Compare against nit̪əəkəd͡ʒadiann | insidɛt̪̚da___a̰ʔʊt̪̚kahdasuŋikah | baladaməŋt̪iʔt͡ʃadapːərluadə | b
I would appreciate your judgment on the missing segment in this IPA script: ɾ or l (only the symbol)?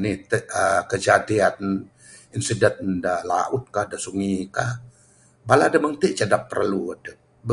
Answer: l